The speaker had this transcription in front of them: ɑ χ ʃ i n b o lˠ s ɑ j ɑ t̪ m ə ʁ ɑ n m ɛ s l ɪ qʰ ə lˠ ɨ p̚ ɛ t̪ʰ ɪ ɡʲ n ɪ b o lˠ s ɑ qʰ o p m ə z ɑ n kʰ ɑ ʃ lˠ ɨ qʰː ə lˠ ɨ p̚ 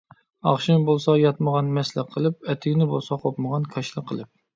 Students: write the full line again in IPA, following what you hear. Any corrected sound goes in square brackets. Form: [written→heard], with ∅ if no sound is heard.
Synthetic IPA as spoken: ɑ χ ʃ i n b o lˠ s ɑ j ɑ t̪ m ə ʁ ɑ n m ɛ s l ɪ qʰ ə lˠ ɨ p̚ ɛ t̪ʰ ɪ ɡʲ n ɪ b o lˠ s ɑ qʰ o p m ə [z→ʁ] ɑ n kʰ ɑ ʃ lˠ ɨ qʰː ə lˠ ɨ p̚